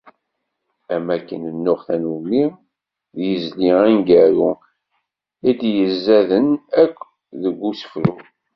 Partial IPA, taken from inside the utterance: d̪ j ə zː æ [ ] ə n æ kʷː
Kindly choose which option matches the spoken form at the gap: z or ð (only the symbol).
ð